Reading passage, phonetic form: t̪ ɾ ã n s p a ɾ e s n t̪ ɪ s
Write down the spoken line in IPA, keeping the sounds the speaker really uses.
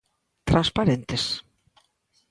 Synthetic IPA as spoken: t̪ ɾ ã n s p a ɾ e n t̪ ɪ s